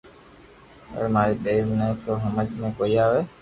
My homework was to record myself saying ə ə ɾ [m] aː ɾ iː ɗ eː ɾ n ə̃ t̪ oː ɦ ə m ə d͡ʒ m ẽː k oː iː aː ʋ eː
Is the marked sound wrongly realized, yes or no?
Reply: no